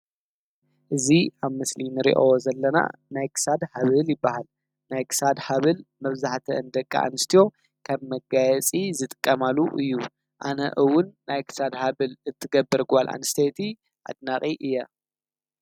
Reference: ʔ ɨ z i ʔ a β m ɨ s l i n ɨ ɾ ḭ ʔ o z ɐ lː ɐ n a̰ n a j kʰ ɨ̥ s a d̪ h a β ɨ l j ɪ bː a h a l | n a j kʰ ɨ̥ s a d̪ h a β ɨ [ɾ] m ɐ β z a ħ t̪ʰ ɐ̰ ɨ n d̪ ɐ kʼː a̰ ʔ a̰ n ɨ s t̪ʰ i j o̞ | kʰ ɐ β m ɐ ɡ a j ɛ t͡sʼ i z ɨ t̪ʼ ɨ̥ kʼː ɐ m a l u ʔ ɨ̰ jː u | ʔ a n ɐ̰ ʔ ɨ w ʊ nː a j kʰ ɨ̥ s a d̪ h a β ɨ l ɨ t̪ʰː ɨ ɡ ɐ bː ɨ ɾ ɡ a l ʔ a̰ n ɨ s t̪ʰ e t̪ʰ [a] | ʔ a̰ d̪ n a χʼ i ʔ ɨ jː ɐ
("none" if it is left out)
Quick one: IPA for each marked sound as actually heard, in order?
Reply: l, i

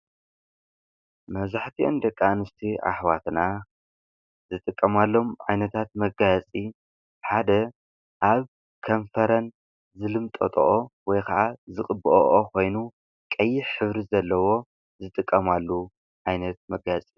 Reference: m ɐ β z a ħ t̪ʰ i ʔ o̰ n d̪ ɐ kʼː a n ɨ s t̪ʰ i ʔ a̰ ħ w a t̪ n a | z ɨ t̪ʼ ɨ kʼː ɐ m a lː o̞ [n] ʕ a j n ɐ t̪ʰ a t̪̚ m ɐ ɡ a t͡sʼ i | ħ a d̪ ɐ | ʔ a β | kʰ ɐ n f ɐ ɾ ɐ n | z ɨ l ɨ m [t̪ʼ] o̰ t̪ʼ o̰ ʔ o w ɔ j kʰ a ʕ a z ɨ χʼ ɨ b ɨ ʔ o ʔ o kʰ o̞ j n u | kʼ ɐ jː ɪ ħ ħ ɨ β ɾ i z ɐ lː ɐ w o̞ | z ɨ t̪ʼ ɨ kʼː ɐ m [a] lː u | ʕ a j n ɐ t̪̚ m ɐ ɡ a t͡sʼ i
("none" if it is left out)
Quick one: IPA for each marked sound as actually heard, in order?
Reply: m, t̪ʼ, a

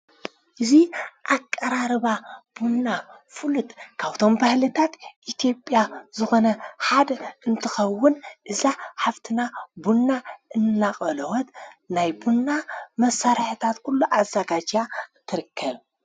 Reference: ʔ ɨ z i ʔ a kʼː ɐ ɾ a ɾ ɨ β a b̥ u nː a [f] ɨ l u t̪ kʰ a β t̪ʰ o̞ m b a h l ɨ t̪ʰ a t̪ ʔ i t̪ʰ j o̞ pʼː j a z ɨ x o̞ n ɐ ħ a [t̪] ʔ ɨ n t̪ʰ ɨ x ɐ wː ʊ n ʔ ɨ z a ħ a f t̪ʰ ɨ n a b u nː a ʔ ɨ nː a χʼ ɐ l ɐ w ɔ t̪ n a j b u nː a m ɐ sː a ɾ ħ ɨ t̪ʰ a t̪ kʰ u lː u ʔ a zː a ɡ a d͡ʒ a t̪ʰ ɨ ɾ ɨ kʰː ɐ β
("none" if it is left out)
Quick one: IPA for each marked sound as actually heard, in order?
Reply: f, d̪

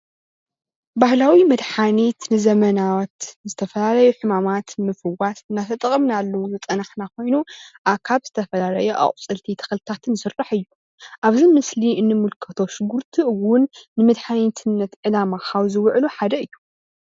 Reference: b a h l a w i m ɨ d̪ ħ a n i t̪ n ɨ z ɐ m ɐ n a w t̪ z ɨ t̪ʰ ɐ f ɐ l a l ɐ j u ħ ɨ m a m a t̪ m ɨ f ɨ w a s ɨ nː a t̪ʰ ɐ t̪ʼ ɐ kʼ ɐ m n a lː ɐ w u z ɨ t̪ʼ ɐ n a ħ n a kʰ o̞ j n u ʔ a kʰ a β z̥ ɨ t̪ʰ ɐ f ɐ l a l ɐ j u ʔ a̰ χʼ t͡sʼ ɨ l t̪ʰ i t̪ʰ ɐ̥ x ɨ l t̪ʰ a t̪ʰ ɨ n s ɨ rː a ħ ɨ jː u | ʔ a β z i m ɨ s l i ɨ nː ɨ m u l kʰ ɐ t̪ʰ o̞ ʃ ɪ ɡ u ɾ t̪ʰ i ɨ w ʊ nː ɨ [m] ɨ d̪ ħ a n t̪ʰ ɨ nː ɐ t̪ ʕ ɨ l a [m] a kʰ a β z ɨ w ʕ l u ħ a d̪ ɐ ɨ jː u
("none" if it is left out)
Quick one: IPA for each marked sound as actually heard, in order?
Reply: m, m

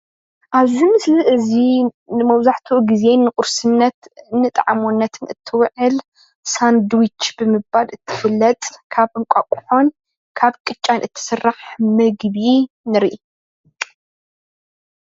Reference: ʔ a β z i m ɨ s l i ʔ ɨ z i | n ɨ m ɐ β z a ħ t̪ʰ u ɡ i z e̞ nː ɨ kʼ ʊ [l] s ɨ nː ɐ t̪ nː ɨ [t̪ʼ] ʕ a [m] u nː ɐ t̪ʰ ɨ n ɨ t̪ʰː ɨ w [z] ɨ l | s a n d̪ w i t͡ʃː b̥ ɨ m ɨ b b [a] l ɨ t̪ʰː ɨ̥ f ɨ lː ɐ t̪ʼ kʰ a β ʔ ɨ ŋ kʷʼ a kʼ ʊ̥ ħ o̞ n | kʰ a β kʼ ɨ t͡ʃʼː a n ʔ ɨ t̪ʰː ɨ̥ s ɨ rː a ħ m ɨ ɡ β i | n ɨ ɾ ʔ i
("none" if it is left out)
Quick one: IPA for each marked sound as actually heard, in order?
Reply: ɾ, t̪ʼ, m, ʕ, a

